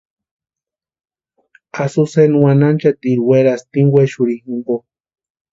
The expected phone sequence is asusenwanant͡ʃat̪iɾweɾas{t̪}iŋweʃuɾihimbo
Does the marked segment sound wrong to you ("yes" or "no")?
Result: no